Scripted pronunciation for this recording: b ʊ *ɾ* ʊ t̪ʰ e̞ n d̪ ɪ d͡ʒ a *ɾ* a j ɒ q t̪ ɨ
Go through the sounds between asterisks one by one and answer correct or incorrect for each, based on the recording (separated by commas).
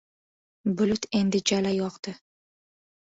incorrect, incorrect